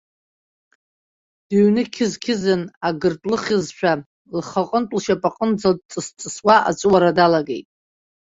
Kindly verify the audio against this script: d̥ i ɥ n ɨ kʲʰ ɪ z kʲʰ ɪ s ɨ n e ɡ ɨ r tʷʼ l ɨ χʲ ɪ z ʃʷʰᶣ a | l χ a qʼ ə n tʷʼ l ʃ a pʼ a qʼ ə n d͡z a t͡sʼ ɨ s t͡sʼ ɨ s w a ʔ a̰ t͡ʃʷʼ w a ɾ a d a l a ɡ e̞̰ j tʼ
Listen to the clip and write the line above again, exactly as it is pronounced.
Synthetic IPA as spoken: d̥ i ɥ n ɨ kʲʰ ɪ z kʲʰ ɪ z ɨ n a ɡ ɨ r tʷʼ l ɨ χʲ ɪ z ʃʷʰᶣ a | l χ a qʼ ə n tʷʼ l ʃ a pʼ a qʼ ə n d͡z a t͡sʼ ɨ s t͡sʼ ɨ s w a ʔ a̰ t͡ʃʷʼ w a ɾ a d a l a ɡ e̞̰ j tʼ